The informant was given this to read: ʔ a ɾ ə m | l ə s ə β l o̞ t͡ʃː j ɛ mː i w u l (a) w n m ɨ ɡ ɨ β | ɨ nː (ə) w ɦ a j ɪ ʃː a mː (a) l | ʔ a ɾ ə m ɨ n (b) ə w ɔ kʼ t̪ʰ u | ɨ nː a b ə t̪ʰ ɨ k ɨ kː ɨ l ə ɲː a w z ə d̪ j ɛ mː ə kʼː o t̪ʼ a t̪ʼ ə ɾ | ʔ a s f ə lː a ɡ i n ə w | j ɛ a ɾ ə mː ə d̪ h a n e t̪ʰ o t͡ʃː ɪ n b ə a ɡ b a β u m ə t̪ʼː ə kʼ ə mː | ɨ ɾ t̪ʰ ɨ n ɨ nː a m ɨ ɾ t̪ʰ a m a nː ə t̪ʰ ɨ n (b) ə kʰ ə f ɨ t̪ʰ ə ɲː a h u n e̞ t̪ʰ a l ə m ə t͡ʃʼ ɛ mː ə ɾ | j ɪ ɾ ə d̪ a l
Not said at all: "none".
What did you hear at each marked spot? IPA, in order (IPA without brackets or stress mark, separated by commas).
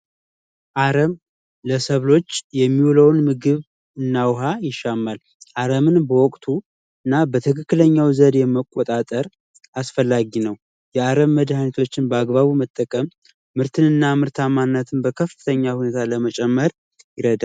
ə, a, a, b, b